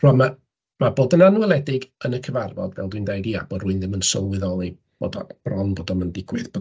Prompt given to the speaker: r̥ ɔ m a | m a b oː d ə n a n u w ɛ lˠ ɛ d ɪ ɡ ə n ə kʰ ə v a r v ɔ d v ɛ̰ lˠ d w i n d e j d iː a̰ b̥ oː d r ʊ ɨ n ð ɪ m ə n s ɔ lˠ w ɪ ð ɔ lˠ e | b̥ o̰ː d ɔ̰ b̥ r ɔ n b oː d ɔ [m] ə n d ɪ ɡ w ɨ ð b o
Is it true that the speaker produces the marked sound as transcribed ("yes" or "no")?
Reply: yes